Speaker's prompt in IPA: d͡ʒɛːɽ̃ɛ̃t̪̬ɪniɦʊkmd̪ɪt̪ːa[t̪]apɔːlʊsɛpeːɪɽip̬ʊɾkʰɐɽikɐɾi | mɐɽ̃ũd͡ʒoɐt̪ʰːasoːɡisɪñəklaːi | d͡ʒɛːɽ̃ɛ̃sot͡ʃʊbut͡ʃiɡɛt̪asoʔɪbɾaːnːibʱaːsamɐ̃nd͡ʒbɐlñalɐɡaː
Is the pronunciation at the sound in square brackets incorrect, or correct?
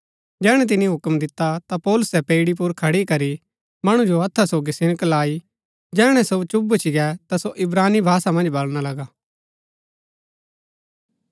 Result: correct